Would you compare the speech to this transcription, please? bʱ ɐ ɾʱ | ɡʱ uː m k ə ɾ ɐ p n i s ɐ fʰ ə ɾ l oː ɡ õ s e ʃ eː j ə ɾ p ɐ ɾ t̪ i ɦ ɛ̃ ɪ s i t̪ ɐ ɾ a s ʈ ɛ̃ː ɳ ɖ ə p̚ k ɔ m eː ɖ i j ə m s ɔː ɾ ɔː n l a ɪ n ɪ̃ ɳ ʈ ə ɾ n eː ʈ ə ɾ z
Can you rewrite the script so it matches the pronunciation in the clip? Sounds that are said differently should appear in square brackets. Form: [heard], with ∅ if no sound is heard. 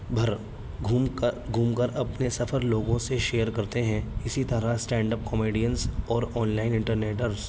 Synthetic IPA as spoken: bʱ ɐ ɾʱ | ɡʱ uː m k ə ɾ ɐ p n [e] s ɐ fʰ ə ɾ l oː ɡ õ s e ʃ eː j ə ɾ [k] ɐ ɾ t̪ [e] ɦ ɛ̃ ɪ s i t̪ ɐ ɾ a s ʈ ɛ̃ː ɳ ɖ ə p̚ k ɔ m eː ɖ i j ə [n] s ɔː ɾ ɔː n l a ɪ n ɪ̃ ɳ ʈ ə ɾ n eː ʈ ə ɾ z